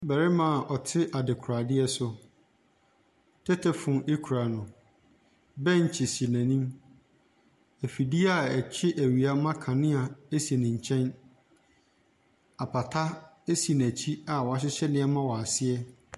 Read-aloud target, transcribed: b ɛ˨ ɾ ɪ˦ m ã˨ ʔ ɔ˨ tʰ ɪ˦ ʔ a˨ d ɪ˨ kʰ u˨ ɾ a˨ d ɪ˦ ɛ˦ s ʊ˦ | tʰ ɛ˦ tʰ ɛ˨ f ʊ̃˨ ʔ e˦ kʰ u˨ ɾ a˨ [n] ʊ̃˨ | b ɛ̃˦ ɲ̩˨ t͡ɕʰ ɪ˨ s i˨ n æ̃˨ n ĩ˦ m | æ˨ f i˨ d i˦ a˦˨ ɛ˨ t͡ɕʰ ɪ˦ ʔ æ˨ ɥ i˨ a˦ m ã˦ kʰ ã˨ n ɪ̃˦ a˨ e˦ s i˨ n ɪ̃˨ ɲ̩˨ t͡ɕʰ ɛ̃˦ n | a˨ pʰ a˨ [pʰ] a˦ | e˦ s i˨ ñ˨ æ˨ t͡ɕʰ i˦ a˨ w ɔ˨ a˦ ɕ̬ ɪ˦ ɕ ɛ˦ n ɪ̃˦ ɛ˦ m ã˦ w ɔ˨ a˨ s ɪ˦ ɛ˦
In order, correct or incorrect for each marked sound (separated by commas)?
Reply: correct, incorrect